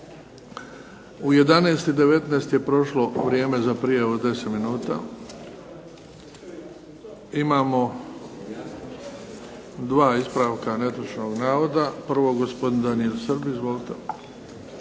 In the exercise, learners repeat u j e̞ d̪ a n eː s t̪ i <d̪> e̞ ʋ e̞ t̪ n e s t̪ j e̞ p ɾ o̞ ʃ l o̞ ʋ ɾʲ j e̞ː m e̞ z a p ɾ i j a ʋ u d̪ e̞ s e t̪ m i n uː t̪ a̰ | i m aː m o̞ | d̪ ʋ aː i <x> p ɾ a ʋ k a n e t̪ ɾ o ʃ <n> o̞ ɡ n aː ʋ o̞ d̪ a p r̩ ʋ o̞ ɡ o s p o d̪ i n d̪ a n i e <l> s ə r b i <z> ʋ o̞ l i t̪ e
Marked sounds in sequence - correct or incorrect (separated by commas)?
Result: correct, incorrect, correct, correct, correct